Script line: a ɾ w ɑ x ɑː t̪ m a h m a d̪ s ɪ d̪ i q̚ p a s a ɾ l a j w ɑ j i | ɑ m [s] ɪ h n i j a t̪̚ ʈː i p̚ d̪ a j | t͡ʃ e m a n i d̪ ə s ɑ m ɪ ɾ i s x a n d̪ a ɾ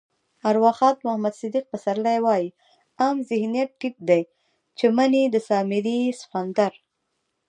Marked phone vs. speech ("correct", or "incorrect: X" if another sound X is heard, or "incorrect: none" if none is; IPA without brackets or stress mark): incorrect: z